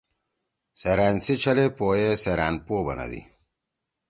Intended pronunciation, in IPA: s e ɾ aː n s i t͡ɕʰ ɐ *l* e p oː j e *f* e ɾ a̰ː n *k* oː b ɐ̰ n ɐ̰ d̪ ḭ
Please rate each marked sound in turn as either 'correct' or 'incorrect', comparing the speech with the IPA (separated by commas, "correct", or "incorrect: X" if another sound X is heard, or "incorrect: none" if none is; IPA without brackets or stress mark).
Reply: correct, incorrect: s, incorrect: p